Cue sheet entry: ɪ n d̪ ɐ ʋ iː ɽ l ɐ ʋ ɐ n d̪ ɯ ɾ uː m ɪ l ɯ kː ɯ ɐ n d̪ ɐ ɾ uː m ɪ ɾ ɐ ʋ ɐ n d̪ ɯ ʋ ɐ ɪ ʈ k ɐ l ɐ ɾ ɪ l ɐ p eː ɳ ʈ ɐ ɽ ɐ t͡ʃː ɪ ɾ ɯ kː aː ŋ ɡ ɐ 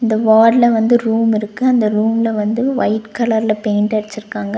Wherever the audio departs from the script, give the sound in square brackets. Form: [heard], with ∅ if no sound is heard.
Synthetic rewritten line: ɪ n d̪ ɐ ʋ [aː] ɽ l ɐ ʋ ɐ n d̪ ɯ ɾ uː m ɪ [ɾ] ɯ kː ɯ ɐ n d̪ ɐ ɾ uː m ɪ [l] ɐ ʋ ɐ n d̪ ɯ ʋ ɐ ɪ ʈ k ɐ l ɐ ɾ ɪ l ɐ p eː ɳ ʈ ɐ ɽ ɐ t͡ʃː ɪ ɾ ɯ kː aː ŋ ɡ ɐ

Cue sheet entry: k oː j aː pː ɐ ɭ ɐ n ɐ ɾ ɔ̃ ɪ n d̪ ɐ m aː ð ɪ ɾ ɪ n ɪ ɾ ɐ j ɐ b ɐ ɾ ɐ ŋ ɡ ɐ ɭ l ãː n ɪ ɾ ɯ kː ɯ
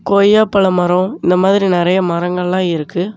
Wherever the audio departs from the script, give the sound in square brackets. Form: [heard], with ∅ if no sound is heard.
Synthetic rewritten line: k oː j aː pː ɐ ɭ ɐ [m] ɐ ɾ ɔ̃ ɪ n d̪ ɐ m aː ð ɪ ɾ [i] n ɪ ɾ ɐ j ɐ [m] ɐ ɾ ɐ ŋ ɡ ɐ ɭ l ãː [∅] ɪ ɾ ɯ kː ɯ

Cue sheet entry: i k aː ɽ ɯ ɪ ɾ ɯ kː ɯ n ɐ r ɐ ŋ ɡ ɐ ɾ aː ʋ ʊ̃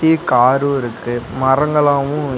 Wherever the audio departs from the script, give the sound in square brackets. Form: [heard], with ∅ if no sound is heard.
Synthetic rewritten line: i k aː [ɾ] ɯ ɪ ɾ ɯ kː ɯ [m] ɐ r ɐ ŋ ɡ ɐ [ɭ] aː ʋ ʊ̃

